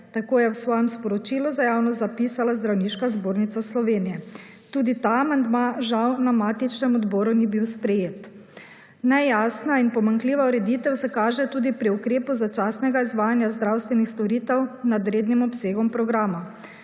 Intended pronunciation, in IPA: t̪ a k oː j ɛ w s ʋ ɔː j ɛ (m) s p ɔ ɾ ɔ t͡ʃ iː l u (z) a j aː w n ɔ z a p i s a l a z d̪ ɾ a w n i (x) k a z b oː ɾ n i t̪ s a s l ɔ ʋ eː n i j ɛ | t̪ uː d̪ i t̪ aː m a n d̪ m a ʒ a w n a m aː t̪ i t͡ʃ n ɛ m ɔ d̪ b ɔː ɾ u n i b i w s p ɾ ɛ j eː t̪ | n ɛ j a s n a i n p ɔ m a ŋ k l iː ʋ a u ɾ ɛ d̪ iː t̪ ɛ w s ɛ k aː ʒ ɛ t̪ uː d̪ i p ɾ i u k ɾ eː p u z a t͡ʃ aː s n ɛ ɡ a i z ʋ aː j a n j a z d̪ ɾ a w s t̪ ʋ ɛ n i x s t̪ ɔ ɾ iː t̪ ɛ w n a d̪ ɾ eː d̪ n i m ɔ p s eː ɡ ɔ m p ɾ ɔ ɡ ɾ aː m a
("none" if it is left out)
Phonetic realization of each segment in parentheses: m, z, ʃ

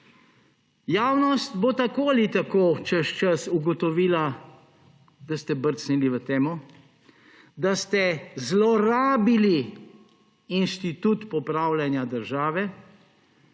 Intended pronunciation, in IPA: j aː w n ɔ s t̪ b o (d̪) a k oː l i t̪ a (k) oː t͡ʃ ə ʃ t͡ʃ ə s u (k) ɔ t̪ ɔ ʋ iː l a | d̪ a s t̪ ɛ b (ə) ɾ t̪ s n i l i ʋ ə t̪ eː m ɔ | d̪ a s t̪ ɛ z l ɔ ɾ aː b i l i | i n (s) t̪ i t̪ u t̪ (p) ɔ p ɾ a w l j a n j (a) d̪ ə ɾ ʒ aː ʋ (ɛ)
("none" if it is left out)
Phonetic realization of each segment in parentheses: t̪, k, ɡ, ə, ʃ, p, a, ɛ

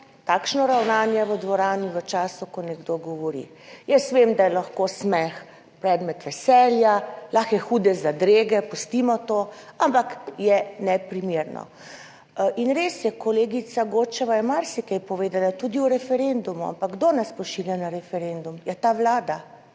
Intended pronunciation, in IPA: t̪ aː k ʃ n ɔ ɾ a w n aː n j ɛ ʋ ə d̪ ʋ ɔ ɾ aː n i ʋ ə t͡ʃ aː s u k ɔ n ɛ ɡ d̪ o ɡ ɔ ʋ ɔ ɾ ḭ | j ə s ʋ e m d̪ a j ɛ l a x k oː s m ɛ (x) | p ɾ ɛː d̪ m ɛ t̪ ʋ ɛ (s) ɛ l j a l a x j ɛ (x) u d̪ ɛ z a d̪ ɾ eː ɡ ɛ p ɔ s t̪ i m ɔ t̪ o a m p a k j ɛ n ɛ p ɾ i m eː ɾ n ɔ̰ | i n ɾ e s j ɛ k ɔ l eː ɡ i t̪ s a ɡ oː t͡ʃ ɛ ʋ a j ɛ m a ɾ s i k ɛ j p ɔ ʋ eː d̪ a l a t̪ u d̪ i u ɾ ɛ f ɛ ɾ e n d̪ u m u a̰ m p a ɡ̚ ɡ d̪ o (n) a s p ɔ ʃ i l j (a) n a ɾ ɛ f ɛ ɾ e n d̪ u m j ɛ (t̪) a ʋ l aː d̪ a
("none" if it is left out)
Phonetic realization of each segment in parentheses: x, s, x, n, a, t̪

